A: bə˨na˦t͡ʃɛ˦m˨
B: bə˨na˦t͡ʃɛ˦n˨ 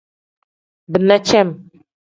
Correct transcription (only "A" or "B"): A